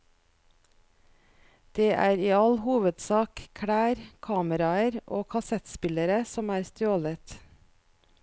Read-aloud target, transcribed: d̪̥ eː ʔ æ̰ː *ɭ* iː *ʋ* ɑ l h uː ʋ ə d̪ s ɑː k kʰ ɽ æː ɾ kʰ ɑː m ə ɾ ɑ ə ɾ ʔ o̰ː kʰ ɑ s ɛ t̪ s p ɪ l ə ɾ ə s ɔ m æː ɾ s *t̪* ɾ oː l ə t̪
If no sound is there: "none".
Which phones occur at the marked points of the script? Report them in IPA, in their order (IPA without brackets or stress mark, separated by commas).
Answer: ɾ, none, t̪